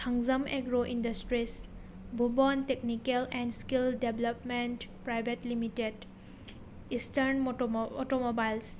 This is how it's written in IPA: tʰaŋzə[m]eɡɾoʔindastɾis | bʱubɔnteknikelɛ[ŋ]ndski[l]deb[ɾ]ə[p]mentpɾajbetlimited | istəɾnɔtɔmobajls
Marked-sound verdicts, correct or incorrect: correct, incorrect, correct, incorrect, correct

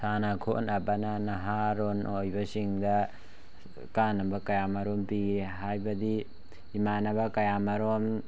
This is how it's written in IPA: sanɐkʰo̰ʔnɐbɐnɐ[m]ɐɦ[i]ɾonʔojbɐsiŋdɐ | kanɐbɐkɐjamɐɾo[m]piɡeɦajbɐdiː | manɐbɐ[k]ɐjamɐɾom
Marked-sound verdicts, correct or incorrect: incorrect, incorrect, correct, correct

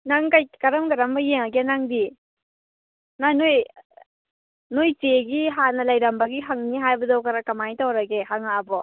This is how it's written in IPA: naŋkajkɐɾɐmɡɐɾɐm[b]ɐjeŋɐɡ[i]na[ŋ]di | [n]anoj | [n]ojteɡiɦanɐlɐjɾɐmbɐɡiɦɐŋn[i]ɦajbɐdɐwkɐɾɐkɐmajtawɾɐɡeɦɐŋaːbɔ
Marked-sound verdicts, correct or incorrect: correct, incorrect, correct, correct, correct, correct

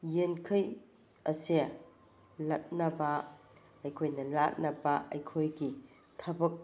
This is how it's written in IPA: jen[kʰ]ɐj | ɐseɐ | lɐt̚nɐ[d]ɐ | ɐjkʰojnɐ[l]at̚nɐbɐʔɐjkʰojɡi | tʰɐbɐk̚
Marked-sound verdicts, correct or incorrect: correct, incorrect, correct

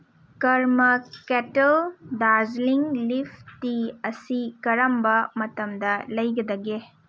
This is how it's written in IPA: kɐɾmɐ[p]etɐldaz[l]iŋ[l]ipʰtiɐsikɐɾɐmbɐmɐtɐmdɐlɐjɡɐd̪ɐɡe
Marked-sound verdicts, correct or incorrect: incorrect, correct, correct

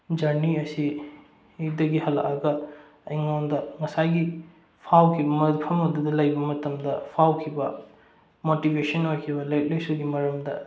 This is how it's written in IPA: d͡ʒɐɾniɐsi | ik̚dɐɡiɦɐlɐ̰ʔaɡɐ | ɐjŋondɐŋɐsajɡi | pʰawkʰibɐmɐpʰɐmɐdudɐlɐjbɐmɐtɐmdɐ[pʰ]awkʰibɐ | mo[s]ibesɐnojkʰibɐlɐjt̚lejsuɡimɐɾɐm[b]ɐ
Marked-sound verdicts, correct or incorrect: correct, incorrect, incorrect

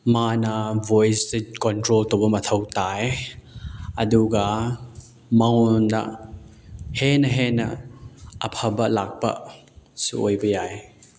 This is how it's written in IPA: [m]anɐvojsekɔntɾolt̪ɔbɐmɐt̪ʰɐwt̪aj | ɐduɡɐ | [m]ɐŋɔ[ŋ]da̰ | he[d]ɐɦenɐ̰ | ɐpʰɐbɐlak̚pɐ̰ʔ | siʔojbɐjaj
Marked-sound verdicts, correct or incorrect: correct, correct, incorrect, incorrect

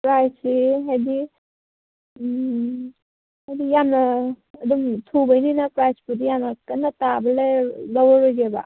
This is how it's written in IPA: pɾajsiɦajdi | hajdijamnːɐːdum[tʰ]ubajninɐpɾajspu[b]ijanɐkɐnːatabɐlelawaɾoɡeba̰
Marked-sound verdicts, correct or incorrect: correct, incorrect

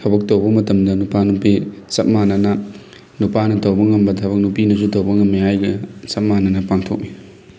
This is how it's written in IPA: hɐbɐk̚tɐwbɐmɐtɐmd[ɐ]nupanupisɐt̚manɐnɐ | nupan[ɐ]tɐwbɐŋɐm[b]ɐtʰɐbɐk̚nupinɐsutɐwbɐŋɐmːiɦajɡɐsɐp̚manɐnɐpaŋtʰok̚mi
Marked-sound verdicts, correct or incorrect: correct, correct, correct

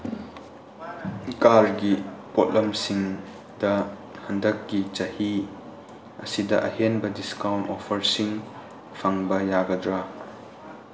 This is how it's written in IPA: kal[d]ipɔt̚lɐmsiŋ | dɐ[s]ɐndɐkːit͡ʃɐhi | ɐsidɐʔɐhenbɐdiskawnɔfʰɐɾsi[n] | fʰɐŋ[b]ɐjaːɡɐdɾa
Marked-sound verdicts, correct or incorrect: incorrect, incorrect, incorrect, correct

